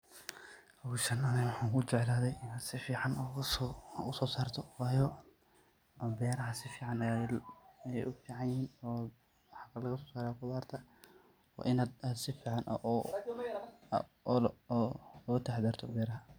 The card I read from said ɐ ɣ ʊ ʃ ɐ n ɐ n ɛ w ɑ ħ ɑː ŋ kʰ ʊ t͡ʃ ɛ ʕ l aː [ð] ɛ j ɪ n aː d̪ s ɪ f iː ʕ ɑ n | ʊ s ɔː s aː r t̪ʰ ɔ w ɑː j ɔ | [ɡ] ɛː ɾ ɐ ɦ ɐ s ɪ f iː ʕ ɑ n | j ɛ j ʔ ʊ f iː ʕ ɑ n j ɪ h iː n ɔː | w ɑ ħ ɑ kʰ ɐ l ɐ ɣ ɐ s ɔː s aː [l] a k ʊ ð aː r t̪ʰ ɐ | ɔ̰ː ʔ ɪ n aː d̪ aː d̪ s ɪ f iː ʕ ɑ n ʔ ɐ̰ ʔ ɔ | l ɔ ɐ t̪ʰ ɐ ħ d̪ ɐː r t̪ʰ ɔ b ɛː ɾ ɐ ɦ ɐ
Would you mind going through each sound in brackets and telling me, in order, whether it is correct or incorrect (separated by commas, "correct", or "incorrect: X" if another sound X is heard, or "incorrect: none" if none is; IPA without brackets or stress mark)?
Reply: correct, incorrect: b, incorrect: ɾ